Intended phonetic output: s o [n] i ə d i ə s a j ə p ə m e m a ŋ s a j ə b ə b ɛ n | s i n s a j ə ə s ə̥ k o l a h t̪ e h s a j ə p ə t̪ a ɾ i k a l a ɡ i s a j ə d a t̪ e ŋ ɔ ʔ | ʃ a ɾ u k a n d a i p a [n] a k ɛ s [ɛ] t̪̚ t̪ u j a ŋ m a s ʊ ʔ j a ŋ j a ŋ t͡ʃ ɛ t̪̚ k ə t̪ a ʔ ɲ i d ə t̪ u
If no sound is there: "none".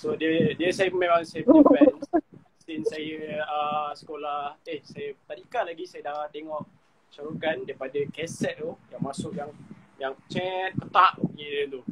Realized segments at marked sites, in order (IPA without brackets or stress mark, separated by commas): d, d, ɛ